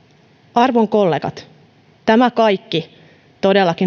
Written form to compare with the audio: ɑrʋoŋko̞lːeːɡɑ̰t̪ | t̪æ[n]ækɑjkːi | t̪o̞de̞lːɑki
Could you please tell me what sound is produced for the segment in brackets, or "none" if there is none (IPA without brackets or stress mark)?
m